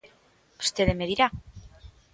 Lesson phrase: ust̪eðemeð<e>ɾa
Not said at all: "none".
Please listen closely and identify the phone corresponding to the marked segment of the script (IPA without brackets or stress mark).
i